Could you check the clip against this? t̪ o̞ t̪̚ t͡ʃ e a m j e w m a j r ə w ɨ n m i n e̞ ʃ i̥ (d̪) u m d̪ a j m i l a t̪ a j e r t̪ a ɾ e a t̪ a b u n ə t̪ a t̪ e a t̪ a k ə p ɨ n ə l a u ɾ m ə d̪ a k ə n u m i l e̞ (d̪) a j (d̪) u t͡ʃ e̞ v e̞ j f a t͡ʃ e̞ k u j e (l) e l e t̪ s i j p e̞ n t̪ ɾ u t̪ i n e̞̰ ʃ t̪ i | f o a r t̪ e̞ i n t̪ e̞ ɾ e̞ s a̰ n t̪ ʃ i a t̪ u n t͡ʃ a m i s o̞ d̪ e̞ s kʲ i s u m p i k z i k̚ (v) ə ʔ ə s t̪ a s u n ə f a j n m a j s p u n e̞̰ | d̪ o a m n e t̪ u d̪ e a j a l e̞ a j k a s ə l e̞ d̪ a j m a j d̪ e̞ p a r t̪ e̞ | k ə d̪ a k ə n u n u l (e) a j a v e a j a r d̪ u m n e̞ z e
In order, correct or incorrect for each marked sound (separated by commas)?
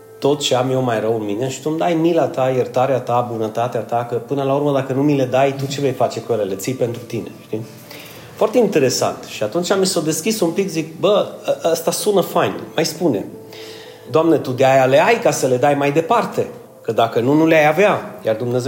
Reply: incorrect, correct, incorrect, correct, incorrect, correct